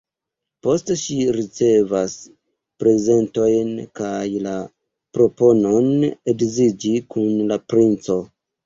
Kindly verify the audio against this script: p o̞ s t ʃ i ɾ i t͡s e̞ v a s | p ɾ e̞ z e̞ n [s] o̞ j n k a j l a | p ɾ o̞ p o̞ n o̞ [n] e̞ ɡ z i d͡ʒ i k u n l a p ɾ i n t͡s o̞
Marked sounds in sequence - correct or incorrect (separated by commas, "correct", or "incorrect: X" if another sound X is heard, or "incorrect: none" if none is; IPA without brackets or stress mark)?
incorrect: t, correct